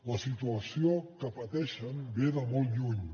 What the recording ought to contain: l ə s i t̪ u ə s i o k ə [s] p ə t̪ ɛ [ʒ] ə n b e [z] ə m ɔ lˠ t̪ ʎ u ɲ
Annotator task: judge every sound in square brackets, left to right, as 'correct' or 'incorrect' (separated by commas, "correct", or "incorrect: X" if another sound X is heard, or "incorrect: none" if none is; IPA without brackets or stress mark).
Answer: incorrect: none, incorrect: ʃ, incorrect: ð